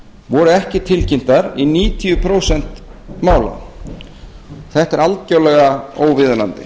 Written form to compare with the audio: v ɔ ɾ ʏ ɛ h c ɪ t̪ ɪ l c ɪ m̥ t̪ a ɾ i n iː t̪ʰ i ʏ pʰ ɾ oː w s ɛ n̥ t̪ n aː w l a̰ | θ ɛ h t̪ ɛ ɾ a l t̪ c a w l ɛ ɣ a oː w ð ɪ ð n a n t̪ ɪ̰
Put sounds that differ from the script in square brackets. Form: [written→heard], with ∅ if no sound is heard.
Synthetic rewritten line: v ɔ ɾ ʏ ɛ h c ɪ [t̪→t̪ʰ] ɪ l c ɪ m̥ t̪ a ɾ i n iː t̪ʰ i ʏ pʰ ɾ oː w s ɛ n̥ t̪ [n→m] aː w l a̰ | θ ɛ h t̪ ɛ ɾ a l t̪ c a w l ɛ ɣ a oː w [ð→v] ɪ ð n a n t̪ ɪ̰

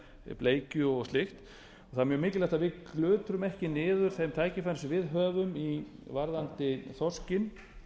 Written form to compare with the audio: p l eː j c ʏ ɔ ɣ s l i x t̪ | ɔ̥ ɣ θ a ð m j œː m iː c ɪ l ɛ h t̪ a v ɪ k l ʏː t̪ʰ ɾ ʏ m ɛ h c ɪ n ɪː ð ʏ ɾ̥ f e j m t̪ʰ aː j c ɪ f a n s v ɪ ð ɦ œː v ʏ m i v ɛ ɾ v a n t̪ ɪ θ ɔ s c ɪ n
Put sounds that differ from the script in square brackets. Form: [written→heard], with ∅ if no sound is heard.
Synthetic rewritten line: p l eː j c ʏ ɔ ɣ s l [i→ɪ] x t̪ | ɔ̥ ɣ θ a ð m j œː m [iː→ɪː] c ɪ l ɛ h t̪ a v ɪ k l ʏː [t̪ʰ→t̪] ɾ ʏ m ɛ h c ɪ n ɪː ð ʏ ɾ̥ [f→θ] e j m t̪ʰ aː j c ɪ f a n s v ɪ ð ɦ œː v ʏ m i v [ɛ→a] ɾ [v→ð] a n t̪ ɪ θ ɔ s c ɪ n

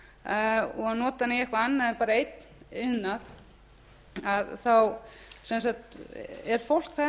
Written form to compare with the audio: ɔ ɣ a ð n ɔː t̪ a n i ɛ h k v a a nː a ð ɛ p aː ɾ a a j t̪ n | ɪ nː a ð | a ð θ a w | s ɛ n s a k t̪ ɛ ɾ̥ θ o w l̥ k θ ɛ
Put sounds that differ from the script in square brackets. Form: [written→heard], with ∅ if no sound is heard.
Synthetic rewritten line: ɔ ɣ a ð n ɔː t̪ a n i ɛ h k v a a nː a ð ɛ p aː ɾ a [a→e] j t̪ n | ɪ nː a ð | a ð θ a w | s ɛ n s a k t̪ ɛ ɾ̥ [θ→f] o w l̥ k θ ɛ

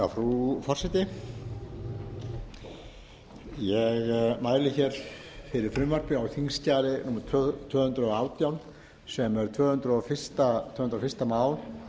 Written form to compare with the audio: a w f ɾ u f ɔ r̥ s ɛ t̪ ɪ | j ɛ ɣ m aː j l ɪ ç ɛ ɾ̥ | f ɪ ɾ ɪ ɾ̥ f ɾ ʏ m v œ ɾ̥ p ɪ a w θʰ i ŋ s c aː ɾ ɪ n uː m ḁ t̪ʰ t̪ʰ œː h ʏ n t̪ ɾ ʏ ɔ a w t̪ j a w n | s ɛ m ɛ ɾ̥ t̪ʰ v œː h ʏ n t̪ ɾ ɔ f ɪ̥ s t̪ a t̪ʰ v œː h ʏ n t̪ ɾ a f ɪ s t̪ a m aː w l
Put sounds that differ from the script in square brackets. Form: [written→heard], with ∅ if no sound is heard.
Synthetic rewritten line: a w f ɾ u f ɔ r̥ s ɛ t̪ ɪ | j ɛ ɣ m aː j l ɪ ç ɛ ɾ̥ | f ɪ ɾ ɪ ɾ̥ f ɾ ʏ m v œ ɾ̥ p ɪ a w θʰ i ŋ s c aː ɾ ɪ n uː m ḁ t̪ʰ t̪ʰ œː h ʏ n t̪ ɾ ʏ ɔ a w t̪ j a w n | s ɛ m ɛ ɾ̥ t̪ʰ v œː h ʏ n t̪ ɾ ɔ f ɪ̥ s t̪ a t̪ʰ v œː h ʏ n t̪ ɾ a f ɪ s t̪ a m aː w l

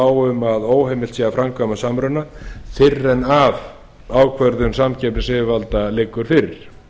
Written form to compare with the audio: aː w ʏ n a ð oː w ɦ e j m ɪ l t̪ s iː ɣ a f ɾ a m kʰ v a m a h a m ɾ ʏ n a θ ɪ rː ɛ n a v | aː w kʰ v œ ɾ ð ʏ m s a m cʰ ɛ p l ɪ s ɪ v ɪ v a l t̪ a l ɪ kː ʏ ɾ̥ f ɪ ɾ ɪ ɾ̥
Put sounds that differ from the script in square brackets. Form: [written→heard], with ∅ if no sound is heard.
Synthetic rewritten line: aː w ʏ [n→m] a ð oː w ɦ e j m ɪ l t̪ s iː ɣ a f ɾ a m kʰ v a m a [h→s] a m ɾ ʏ n a θ ɪ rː ɛ n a v | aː w kʰ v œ ɾ ð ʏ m s a m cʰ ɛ p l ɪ s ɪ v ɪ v a l t̪ a l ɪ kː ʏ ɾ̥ f ɪ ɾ ɪ ɾ̥

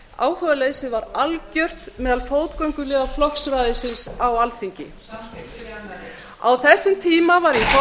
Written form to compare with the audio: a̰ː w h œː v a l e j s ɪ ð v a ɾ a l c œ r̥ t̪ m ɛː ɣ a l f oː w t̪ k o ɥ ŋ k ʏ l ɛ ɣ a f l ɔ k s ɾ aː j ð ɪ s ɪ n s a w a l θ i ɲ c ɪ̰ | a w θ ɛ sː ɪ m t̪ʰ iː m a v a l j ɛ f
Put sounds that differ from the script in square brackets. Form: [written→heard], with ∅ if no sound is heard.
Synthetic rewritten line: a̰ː w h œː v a l e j s ɪ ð v a ɾ a l c œ r̥ t̪ m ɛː [ɣ→ð] a l f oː w t̪ k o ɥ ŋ k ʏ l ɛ ɣ a f l ɔ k s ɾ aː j ð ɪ s ɪ n s a w a l θ i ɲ c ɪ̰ | a w θ ɛ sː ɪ m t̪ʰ iː m a v a [l→ɾ] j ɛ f

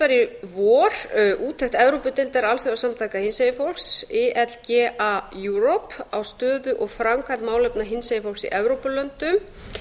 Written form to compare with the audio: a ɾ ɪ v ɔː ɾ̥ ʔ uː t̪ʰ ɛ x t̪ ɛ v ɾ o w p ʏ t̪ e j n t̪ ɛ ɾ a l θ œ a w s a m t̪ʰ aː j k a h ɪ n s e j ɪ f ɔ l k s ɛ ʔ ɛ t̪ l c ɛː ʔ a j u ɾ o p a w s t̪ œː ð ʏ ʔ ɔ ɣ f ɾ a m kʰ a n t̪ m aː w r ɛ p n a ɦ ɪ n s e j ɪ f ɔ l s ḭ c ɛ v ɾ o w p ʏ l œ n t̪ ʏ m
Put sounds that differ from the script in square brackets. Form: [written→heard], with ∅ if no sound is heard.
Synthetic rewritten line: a ɾ ɪ v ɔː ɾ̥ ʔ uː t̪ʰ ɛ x t̪ ɛ v ɾ o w p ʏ t̪ e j n t̪ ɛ ɾ a l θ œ a w s a m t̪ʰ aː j k a h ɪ n s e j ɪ f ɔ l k s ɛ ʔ ɛ t̪ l c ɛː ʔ a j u ɾ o p a w s t̪ œː ð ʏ ʔ ɔ ɣ f ɾ a m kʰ a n t̪ m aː w [r→l] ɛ p n a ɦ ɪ n s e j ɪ f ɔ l s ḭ [c→ʔ] ɛ v ɾ o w p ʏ l œ n t̪ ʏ m

